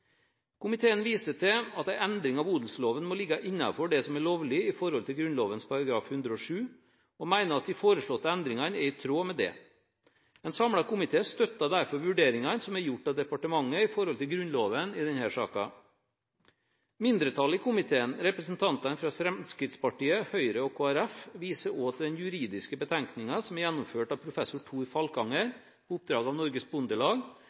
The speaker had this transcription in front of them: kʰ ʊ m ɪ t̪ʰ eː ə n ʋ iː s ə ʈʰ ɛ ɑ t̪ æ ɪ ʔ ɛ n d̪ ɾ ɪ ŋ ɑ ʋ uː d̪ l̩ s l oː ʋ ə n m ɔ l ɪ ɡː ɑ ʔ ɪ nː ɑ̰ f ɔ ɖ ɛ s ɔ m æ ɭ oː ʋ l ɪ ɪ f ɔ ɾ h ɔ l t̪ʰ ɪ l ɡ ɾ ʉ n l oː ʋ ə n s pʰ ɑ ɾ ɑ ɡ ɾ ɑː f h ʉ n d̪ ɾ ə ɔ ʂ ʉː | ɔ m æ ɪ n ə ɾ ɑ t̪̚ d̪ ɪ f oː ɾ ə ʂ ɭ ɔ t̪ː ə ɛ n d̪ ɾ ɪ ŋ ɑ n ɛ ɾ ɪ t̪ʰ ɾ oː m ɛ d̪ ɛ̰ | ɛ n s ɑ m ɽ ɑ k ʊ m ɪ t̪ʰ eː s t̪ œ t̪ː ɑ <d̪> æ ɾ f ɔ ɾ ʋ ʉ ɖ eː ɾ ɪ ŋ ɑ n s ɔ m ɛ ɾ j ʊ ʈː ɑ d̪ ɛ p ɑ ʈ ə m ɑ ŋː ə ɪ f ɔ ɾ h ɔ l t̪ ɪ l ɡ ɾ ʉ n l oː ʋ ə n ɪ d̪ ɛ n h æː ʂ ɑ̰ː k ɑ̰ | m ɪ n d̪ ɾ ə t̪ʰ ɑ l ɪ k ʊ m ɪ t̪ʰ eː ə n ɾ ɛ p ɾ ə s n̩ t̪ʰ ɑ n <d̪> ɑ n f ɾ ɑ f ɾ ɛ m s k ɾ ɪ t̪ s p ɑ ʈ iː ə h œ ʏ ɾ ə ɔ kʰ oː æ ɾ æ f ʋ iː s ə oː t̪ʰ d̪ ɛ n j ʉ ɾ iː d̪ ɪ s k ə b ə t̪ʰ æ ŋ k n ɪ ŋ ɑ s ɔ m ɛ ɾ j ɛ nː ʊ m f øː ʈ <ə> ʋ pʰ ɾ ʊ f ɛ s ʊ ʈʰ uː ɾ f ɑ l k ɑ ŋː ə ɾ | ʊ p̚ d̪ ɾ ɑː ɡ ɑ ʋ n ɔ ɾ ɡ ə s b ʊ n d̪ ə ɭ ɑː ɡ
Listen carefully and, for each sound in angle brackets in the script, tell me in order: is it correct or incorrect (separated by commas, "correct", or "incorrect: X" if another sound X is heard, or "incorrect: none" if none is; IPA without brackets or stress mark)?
correct, incorrect: t̪, incorrect: ɑ